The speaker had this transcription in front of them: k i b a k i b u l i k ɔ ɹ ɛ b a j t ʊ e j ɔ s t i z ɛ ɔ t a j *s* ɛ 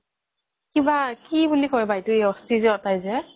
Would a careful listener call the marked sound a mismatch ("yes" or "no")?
yes